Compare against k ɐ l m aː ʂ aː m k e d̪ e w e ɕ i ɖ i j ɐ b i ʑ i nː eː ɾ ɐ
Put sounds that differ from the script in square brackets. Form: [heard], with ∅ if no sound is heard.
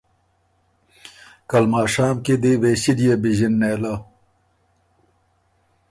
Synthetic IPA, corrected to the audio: k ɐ l m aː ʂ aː m k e d̪ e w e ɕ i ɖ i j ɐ b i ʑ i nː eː [l] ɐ